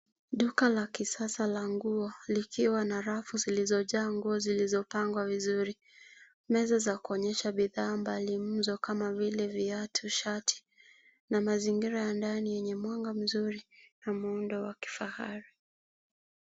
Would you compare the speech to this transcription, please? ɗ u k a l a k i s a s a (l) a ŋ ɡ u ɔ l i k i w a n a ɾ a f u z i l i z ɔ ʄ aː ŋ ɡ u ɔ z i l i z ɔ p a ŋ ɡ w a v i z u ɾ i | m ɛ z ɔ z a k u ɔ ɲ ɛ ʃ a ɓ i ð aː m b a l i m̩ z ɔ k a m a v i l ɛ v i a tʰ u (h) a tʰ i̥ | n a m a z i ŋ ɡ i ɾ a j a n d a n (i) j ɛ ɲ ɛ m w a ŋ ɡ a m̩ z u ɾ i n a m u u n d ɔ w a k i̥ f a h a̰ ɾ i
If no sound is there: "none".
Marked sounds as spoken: l, ʃ, i

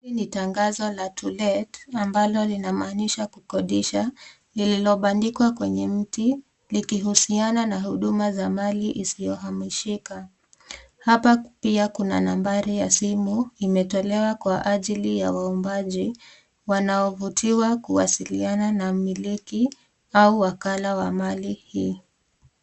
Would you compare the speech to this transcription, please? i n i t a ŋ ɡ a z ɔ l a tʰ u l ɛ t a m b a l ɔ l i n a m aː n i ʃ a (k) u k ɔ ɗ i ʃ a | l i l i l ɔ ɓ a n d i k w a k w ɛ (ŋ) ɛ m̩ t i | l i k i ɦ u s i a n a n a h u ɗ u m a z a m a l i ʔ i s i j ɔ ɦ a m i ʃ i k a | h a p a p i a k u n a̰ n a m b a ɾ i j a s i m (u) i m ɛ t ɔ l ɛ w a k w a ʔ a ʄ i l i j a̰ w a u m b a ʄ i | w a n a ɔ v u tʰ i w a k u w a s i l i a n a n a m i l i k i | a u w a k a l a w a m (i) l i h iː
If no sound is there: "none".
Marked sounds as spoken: k, ɲ, u, a

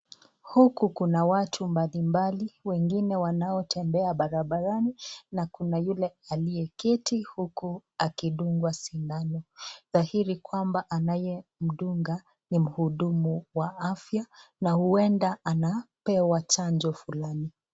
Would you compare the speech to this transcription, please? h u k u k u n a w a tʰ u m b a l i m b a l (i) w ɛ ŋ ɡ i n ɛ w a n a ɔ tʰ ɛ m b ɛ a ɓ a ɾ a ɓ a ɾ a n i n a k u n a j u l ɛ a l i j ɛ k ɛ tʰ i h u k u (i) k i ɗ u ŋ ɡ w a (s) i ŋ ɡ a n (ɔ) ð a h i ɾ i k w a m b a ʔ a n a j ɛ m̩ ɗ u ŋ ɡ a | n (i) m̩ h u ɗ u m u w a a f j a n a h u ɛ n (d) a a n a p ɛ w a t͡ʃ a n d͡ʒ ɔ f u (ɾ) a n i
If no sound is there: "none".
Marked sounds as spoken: i, a, s, ɔ, i, d, l

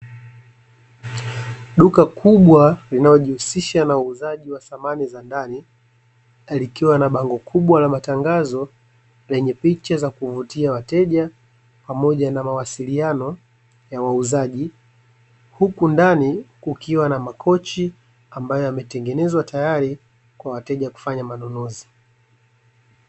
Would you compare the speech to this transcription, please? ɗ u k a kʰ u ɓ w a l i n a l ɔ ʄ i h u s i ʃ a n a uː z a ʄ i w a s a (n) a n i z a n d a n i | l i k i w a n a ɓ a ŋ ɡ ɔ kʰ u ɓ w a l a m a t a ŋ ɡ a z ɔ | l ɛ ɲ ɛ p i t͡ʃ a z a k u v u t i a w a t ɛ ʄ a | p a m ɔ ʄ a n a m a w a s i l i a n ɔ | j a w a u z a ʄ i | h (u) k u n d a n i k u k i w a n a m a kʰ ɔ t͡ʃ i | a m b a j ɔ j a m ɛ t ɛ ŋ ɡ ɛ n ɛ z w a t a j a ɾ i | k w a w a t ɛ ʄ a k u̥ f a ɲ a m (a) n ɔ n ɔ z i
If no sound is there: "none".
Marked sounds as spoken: m, u, a

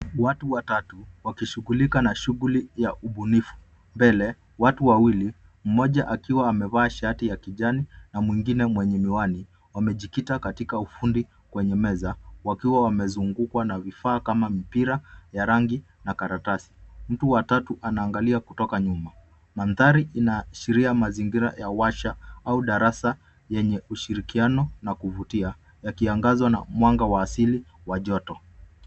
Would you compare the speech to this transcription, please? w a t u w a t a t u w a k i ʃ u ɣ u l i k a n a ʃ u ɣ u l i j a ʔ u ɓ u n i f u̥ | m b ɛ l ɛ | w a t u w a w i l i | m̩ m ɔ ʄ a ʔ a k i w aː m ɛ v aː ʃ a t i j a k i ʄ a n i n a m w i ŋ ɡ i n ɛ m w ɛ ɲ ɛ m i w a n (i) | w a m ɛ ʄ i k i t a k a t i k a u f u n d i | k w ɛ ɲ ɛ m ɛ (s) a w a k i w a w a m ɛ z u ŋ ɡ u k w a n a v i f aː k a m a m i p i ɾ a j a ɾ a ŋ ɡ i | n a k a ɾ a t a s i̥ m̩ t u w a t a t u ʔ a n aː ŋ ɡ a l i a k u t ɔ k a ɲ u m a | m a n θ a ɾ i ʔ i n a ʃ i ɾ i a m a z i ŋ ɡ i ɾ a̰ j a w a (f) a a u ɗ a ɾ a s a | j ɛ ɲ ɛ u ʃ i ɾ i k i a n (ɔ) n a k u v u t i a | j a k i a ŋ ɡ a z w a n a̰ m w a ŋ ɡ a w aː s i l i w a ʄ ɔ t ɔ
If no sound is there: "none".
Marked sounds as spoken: i, z, ʃ, ɔ

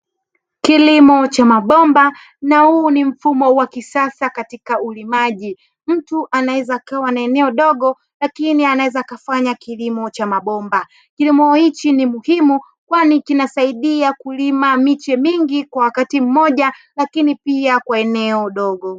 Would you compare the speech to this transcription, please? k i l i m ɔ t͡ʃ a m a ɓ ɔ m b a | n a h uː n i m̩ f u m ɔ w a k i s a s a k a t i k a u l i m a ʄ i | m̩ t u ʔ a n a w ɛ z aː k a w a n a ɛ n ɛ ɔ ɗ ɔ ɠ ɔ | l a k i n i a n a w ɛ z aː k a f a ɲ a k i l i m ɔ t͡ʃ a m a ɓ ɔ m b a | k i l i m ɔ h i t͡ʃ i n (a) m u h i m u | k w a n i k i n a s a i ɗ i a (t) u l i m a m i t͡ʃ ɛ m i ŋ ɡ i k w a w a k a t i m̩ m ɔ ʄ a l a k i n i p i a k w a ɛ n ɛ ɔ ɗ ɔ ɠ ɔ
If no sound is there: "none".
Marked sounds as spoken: i, k

